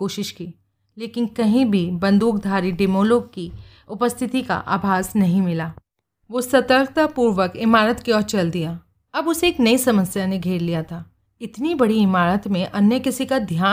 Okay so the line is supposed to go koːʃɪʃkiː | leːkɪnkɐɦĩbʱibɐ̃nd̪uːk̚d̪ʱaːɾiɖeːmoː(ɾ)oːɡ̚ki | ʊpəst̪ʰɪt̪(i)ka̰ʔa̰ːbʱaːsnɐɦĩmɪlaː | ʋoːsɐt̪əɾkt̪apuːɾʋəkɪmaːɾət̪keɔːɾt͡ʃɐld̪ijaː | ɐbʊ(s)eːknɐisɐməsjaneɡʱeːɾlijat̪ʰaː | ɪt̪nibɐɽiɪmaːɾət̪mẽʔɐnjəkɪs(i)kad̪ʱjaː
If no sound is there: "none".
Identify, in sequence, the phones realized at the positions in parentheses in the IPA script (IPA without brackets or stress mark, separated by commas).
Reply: l, i, s, i